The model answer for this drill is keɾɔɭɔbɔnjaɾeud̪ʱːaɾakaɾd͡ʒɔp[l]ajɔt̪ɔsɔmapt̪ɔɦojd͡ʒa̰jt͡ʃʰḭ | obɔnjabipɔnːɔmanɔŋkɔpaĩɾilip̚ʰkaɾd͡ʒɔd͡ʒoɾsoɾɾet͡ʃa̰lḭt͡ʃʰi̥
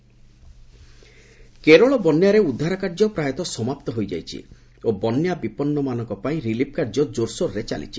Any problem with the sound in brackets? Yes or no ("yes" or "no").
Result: yes